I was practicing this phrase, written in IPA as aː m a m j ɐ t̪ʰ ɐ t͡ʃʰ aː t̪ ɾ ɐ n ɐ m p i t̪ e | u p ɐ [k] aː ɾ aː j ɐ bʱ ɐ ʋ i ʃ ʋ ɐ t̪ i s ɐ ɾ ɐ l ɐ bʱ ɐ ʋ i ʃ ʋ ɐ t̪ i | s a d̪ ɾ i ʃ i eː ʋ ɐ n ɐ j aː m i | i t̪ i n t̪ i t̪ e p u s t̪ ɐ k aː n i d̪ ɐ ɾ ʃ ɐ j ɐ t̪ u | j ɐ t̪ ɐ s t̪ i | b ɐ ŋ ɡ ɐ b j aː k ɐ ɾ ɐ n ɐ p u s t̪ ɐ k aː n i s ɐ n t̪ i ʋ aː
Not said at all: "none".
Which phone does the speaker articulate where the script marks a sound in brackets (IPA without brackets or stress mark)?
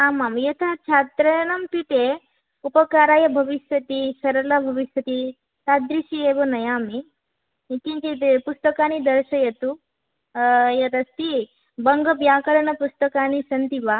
k